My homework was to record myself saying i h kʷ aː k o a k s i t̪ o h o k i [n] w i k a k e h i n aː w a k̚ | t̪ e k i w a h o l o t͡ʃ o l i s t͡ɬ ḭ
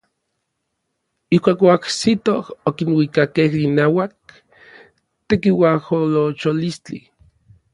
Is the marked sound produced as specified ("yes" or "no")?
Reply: yes